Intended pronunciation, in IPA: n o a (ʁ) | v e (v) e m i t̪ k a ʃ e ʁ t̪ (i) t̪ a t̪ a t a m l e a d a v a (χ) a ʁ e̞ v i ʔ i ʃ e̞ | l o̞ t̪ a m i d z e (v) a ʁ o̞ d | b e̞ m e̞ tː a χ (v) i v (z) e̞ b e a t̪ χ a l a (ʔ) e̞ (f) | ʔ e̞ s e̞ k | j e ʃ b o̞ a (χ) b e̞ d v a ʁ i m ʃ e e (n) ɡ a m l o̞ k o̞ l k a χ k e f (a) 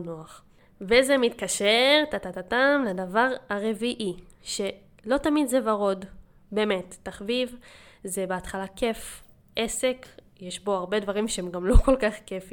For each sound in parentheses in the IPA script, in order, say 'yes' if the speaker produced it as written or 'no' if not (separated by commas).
no, no, no, no, yes, yes, yes, no, yes, no, no, no